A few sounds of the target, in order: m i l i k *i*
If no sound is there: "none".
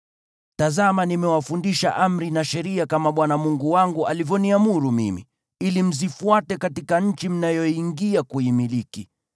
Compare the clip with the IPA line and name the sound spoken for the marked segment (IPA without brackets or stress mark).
i